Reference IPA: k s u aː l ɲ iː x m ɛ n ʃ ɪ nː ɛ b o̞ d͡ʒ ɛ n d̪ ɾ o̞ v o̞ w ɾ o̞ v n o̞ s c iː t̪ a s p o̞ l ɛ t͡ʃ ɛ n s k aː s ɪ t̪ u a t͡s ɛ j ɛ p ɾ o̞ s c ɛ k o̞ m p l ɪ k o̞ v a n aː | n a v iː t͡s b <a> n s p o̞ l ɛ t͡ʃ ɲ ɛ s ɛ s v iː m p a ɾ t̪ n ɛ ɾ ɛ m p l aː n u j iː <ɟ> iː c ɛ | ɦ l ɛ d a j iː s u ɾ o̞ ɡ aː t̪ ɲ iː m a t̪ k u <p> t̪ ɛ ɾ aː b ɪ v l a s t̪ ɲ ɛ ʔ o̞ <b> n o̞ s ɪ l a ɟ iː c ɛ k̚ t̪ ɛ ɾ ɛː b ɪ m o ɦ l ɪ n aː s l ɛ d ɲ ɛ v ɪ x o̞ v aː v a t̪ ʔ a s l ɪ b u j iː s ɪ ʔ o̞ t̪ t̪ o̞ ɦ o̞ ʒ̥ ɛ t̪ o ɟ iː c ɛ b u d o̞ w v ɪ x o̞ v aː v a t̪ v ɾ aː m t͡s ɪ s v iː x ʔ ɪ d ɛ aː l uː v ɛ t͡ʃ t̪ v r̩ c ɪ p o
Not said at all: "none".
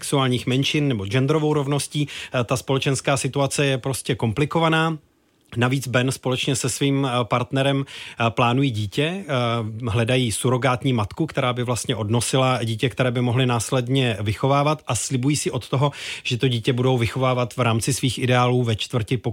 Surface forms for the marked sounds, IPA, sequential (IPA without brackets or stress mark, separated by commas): ɛ, ɟ, k, d